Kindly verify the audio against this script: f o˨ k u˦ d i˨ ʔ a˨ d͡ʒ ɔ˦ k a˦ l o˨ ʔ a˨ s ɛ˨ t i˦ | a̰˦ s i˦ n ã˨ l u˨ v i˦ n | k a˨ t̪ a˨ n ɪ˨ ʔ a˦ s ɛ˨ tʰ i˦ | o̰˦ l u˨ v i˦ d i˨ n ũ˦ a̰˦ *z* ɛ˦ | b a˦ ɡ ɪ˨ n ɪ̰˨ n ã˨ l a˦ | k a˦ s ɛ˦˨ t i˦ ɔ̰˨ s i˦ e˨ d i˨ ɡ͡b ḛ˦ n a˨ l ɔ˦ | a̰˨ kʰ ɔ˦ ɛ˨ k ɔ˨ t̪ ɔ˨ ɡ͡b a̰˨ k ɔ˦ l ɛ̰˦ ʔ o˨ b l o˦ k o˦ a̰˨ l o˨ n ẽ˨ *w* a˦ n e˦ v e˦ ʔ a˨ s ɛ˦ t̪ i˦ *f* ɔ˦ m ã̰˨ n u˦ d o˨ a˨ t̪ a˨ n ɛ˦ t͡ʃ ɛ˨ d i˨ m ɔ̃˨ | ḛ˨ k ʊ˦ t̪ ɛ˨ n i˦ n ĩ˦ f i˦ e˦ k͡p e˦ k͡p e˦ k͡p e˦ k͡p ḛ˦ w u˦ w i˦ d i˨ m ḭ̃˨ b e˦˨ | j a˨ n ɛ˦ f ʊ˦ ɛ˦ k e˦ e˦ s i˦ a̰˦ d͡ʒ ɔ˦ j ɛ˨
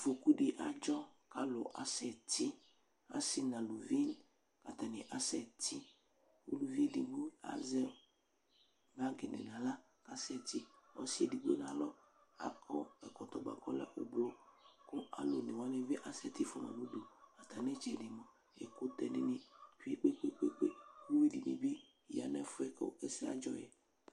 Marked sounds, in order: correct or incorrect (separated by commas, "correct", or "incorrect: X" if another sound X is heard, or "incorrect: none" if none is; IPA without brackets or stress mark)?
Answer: correct, correct, correct